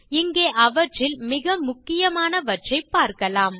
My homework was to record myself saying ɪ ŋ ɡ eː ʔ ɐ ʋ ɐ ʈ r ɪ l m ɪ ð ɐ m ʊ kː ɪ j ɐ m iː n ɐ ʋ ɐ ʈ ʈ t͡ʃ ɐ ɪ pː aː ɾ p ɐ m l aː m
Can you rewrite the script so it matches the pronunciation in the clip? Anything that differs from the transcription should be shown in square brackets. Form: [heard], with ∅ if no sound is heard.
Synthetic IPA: ɪ ŋ ɡ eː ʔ ɐ ʋ ɐ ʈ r ɪ l m ɪ [ɣ] ɐ m ʊ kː ɪ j ɐ m [aː] n ɐ ʋ ɐ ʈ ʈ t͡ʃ ɐ ɪ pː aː ɾ [k] ɐ [∅] l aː m